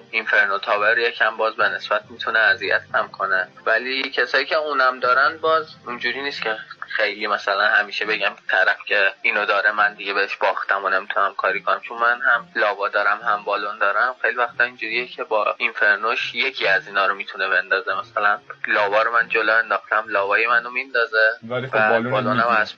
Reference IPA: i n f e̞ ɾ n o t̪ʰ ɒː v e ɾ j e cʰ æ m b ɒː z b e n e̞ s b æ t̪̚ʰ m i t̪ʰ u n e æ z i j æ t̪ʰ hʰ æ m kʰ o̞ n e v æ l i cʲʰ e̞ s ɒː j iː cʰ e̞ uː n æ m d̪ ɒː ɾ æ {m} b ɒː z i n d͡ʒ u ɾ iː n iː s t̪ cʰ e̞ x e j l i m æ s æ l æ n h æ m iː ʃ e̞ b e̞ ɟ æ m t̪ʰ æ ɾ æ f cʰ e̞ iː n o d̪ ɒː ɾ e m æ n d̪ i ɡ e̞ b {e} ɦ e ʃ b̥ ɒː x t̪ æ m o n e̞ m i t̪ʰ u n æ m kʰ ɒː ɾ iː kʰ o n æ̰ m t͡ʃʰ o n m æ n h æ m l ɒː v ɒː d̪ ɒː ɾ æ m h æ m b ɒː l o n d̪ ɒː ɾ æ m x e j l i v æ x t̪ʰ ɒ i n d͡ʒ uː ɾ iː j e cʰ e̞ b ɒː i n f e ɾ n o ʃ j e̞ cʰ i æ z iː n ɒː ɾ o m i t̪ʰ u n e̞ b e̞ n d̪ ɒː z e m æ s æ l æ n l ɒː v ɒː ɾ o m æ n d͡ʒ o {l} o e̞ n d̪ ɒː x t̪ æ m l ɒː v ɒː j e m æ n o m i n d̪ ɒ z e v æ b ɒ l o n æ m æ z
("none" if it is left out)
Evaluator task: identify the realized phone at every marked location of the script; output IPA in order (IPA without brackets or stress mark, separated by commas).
n, e, l